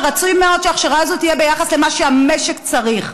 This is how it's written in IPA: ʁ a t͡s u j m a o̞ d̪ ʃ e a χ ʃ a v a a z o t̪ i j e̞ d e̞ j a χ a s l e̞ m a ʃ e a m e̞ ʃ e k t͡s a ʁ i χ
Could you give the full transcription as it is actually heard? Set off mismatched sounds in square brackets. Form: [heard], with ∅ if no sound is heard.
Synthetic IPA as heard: ʁ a t͡s u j m [e] o̞ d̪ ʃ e a χ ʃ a [ʁ] a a z o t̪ i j e̞ [b] e̞ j a χ a s l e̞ m a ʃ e a m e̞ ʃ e k t͡s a ʁ i χ